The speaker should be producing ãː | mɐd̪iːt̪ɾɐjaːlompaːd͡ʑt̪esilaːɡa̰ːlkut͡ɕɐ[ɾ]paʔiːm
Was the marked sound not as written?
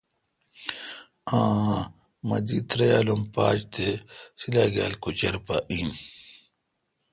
no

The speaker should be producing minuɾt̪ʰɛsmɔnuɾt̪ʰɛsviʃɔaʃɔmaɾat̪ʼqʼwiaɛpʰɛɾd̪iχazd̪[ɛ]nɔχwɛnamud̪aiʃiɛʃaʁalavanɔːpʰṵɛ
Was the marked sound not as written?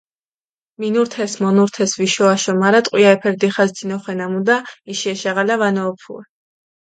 yes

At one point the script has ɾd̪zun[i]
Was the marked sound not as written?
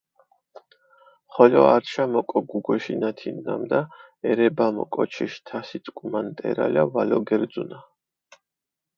yes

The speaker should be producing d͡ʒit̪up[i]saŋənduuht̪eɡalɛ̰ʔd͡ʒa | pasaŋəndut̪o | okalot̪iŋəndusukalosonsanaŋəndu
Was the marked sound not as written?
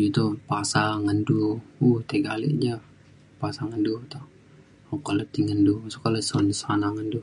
yes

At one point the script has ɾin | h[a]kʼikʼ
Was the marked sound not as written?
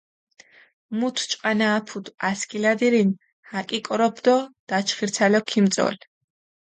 no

